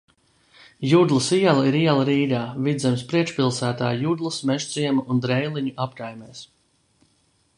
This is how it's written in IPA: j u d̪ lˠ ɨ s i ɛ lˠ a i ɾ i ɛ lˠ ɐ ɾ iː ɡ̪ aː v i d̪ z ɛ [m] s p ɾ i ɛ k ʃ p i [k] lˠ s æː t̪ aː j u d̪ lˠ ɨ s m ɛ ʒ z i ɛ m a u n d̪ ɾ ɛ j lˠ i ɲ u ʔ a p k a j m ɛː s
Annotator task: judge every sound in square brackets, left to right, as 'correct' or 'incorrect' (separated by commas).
correct, incorrect